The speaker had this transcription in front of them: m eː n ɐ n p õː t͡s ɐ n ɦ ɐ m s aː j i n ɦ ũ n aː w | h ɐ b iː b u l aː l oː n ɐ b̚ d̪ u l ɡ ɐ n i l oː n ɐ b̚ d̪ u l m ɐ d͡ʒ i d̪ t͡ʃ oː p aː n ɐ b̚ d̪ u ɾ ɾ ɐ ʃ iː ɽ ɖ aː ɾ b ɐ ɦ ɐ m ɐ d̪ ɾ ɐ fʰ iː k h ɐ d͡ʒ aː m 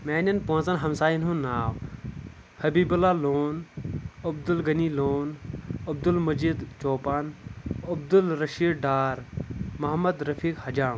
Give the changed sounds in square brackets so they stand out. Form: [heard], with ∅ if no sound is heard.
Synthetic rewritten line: m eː n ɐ n p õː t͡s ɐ n ɦ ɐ m s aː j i n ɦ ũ n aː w | h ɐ b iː b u l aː l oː n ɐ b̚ d̪ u l ɡ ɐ n i l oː n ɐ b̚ d̪ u l m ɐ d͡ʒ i d̪ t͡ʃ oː p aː n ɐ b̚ d̪ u [l] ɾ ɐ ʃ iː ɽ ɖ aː ɾ [m] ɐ ɦ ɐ m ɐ d̪ ɾ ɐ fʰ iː k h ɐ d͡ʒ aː m